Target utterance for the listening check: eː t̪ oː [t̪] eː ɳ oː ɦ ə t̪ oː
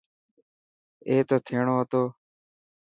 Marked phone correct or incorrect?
incorrect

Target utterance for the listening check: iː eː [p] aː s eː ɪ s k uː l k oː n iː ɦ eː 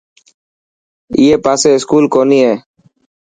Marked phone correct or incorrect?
correct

